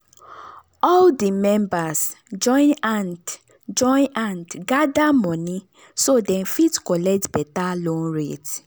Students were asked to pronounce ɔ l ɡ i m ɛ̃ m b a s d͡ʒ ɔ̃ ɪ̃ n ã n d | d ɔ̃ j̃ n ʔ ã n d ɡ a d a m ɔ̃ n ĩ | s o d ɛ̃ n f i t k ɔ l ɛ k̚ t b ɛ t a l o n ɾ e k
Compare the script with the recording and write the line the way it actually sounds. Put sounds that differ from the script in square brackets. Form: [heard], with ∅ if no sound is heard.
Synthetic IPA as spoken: ɔ l [d] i m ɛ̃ m b a s d͡ʒ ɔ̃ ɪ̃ n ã n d | [d͡ʒ] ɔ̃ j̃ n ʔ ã n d ɡ a d a m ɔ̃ n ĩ | s o d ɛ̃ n f i t k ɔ l ɛ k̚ t b ɛ t a l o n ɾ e [t]